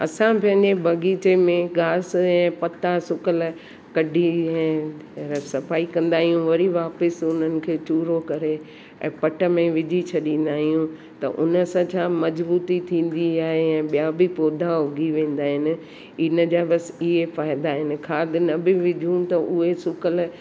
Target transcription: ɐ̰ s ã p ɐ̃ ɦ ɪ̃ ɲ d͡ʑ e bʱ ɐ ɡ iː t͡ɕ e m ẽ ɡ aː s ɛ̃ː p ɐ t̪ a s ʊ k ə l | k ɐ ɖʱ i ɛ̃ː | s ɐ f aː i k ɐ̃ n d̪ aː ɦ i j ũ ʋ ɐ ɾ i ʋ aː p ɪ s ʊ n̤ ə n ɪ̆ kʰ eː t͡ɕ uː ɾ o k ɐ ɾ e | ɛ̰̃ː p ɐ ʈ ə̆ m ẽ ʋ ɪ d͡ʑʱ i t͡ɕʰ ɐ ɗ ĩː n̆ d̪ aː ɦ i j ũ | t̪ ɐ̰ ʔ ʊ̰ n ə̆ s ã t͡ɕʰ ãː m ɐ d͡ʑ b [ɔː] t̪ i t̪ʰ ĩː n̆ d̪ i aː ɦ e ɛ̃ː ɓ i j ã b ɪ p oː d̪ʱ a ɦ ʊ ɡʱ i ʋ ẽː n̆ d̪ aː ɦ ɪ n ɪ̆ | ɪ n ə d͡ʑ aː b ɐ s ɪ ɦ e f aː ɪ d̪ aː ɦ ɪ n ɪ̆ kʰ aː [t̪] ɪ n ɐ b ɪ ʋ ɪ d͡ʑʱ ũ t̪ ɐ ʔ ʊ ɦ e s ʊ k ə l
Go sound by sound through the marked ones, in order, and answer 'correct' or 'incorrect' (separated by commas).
incorrect, incorrect